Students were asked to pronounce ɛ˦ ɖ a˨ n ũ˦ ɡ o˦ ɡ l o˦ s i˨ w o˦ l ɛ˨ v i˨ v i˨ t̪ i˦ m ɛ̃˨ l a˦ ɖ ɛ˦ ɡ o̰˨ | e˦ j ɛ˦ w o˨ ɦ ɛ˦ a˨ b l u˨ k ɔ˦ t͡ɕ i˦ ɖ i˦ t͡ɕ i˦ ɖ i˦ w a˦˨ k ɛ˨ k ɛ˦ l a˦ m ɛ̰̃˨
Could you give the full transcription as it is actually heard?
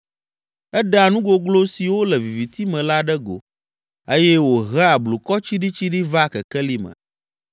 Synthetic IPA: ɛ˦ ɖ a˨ n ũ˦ ɡ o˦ ɡ l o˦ s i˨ w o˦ l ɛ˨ v i˨ v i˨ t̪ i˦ m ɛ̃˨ l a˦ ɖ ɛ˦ ɡ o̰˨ | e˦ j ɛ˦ w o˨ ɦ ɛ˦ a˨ b l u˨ k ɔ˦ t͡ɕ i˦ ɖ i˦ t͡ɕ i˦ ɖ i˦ v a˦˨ k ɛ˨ k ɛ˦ l i˦ m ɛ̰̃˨